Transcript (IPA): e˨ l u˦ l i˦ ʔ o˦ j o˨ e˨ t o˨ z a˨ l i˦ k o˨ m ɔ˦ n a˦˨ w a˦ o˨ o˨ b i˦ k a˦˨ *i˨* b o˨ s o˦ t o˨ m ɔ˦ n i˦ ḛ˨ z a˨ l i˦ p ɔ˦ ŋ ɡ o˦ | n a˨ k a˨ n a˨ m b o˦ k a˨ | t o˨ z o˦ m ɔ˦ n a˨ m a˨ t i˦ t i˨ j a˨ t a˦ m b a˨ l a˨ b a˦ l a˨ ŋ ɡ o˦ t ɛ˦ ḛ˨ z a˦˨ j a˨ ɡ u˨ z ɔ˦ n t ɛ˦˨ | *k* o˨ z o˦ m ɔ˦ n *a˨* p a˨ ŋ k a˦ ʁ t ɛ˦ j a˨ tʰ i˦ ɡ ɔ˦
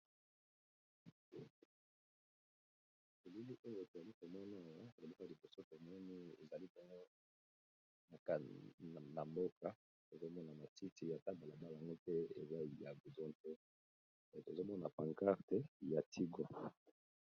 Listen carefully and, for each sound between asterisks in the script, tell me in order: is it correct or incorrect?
correct, incorrect: t, correct

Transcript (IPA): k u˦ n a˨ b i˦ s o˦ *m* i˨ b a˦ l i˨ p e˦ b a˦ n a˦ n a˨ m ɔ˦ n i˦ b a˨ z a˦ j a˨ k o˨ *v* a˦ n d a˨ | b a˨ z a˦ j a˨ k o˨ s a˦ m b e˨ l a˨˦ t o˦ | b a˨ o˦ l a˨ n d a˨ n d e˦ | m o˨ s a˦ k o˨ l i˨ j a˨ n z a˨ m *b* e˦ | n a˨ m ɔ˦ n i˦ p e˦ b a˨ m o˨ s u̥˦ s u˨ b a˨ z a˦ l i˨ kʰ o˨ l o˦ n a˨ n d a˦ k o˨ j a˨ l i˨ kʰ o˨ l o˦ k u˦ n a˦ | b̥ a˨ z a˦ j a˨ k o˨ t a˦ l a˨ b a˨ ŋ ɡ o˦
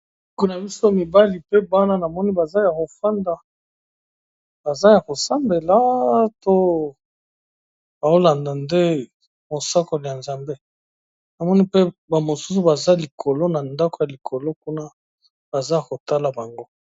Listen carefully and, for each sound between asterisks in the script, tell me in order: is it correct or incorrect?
correct, incorrect: f, correct

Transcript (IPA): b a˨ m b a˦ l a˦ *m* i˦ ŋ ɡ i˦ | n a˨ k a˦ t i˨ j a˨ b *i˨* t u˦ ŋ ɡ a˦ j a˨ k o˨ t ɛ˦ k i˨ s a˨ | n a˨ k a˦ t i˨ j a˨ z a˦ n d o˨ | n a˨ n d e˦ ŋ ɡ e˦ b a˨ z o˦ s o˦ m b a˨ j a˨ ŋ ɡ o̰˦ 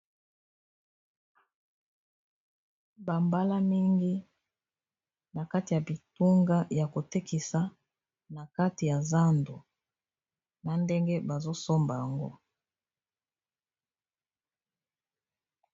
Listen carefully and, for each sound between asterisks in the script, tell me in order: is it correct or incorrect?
correct, correct

